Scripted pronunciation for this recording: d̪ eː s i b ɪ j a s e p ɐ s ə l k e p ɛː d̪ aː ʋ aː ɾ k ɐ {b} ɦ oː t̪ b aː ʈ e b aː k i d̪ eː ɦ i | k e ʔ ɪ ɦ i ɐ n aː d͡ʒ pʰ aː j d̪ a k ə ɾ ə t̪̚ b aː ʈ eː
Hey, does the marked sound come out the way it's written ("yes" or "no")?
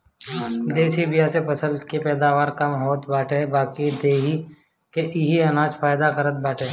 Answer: no